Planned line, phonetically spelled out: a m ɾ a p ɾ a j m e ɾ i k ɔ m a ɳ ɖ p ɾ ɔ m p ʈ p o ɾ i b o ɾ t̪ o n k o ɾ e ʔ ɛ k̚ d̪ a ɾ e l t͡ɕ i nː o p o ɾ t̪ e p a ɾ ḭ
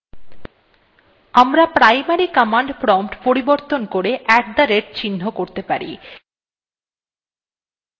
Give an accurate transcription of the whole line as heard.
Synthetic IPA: a m ɾ a p ɾ a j m a ɾ i k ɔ m a ɳ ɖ p ɾ ɔ m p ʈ p o ɾ i b o ɾ t̪ o n k o ɾ e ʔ ɛ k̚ d̪ a ɾ e ɾ t͡ɕ i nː o k o ɾ t̪ e p a ɾ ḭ